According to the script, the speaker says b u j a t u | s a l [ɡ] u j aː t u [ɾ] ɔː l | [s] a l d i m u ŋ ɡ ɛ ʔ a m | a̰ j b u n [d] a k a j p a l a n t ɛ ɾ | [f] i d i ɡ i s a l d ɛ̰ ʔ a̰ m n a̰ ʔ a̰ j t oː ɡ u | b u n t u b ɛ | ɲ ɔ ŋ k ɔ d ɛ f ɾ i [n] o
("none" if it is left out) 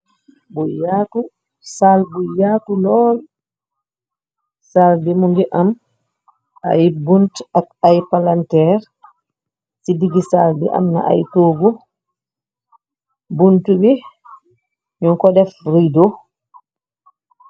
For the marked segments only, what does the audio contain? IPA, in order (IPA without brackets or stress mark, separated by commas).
b, l, s, t, s, d